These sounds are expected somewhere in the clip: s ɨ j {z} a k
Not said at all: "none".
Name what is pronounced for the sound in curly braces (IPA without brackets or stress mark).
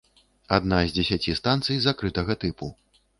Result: z